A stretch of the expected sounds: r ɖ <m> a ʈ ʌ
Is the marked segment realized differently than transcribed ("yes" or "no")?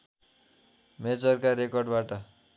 yes